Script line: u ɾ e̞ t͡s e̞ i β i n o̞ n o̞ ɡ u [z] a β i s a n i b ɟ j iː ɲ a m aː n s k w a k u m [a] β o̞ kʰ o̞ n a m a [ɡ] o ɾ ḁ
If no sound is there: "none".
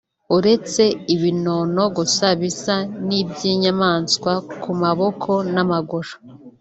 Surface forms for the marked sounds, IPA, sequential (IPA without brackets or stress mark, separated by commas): s, a, ɡ